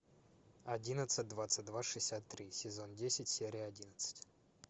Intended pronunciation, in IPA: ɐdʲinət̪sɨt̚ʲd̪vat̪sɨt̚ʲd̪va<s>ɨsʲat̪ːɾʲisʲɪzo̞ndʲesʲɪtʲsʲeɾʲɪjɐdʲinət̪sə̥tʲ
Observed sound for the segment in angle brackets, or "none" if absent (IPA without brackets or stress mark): ʂ